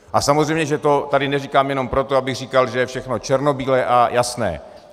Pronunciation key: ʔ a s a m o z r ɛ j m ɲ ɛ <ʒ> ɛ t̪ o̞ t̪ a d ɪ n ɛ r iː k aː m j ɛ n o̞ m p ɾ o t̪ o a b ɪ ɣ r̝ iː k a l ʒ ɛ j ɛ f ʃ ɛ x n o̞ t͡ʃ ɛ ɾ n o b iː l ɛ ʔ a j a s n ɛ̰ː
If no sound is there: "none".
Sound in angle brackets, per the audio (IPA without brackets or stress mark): ʒ